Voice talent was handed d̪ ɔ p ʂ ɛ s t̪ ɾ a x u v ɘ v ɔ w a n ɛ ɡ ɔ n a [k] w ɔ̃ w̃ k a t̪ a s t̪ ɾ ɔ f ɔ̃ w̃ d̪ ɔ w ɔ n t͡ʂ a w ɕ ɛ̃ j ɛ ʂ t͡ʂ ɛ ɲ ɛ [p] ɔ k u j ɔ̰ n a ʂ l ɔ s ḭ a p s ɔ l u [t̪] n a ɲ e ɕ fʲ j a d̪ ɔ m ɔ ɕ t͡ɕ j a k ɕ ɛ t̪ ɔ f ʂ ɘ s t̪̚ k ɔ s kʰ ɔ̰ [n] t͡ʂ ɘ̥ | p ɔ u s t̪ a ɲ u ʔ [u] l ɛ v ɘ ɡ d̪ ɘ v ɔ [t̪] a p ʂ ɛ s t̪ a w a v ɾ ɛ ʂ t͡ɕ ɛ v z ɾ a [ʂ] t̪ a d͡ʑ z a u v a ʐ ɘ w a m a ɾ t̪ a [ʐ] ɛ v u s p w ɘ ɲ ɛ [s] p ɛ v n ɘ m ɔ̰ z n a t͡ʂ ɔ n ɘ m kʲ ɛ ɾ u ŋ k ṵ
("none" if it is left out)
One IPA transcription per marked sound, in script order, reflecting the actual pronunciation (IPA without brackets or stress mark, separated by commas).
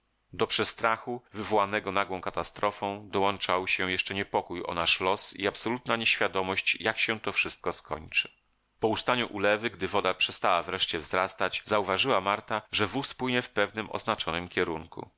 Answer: ɡ, p, t̪, ɲ, u, d̪, s, ʐ, f